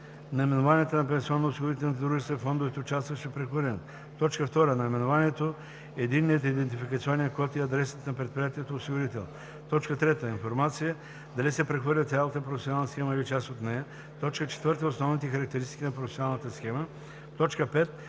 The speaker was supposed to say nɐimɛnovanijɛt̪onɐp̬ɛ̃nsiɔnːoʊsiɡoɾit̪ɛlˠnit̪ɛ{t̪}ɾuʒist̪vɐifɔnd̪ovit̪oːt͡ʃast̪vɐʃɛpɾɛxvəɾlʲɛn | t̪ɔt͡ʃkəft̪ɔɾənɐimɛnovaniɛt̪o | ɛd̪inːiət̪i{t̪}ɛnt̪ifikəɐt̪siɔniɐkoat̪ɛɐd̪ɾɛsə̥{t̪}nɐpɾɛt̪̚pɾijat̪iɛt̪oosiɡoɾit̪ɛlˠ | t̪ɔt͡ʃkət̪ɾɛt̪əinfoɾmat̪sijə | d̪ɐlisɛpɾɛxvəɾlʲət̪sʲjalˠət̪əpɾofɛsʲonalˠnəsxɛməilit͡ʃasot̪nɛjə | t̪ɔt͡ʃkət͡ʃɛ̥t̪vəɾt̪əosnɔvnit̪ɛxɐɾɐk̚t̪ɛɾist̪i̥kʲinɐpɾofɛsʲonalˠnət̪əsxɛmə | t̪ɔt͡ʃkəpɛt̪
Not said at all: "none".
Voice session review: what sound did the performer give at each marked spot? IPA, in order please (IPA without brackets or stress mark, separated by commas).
d̪, d̪, t̪